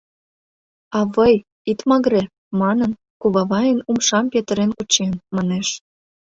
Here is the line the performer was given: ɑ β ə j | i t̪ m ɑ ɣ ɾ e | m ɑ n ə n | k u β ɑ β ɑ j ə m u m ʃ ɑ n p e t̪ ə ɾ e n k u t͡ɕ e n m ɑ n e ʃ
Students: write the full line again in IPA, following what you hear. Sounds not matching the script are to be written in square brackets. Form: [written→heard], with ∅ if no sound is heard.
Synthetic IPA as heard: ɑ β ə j | i t̪ m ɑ ɣ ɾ e | m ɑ n ə n | k u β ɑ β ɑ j ə [m→n] u m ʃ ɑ [n→m] p e t̪ ə ɾ e n k u t͡ɕ e n m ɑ n e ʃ